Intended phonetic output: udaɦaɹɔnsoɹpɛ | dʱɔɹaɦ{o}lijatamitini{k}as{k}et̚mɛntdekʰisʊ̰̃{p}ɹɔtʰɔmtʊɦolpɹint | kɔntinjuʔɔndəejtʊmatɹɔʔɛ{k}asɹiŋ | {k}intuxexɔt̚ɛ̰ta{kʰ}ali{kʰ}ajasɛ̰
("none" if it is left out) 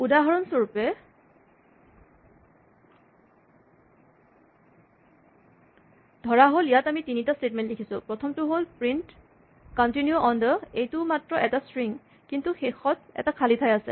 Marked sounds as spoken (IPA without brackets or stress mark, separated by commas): o, t, t, p, t, k, kʰ, tʰ